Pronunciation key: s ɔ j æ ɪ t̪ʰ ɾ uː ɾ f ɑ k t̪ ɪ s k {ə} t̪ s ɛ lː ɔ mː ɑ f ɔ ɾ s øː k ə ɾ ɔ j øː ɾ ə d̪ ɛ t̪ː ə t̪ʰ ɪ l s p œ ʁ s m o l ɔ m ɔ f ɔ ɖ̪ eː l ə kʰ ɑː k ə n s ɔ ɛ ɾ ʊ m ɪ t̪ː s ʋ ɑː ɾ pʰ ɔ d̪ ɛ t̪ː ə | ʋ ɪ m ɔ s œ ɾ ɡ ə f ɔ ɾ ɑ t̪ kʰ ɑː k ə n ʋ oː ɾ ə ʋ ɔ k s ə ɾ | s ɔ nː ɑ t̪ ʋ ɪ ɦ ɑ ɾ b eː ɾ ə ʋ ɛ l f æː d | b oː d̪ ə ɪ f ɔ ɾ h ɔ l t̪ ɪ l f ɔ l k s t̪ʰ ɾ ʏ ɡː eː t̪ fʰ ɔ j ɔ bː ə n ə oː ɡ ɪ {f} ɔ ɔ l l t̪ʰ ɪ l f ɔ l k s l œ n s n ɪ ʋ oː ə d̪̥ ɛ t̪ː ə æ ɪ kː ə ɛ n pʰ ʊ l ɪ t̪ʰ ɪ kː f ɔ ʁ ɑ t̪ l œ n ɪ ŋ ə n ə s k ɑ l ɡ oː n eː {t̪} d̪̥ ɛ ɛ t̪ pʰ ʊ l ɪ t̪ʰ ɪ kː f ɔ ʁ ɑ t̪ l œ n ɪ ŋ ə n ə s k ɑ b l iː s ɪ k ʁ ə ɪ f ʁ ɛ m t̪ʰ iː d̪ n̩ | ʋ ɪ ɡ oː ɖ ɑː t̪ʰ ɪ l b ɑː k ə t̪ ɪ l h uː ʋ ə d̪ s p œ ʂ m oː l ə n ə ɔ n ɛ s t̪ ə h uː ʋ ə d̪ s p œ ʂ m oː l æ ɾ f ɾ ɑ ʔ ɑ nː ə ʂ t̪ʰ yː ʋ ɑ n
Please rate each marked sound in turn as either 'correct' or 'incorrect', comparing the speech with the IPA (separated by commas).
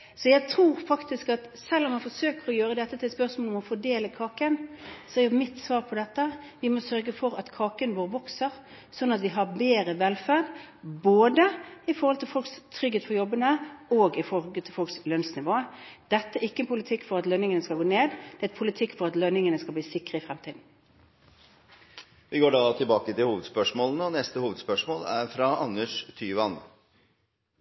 incorrect, correct, incorrect